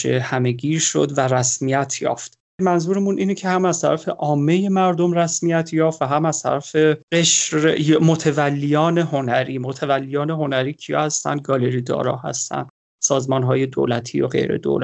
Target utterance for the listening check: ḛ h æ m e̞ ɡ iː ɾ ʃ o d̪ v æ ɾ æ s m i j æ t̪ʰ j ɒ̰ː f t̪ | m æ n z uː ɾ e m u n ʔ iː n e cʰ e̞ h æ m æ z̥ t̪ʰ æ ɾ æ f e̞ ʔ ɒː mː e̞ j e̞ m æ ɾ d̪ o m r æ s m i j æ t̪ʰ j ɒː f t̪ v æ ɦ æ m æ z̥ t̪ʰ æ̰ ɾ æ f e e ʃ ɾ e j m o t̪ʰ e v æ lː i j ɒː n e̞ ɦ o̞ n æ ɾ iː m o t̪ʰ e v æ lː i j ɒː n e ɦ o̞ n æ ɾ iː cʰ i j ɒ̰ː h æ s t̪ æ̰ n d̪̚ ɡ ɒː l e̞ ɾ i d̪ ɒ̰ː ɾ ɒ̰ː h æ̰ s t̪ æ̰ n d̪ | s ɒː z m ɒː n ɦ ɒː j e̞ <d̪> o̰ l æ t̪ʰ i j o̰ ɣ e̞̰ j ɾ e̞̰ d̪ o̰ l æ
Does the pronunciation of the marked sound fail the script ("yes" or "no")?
no